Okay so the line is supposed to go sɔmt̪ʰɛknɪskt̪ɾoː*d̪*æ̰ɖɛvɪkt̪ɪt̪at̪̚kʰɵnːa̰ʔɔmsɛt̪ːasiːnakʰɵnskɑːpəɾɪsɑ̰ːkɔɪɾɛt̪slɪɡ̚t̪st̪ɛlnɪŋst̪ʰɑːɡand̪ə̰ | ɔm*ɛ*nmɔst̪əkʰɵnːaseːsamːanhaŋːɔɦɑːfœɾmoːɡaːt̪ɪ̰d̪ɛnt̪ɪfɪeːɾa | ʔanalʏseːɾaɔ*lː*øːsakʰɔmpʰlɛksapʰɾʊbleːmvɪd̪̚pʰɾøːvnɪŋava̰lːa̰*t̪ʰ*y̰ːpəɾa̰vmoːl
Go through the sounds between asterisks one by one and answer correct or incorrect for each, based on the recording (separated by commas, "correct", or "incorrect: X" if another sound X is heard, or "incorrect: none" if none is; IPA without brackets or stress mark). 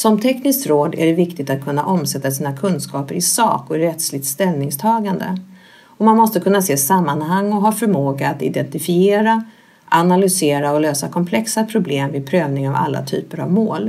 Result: correct, incorrect: a, incorrect: l, correct